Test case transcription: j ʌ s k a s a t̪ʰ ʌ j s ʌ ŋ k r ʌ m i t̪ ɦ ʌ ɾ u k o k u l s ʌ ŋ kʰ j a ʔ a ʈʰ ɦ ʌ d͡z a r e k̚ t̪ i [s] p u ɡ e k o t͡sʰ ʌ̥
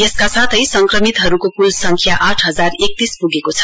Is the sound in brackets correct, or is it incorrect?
correct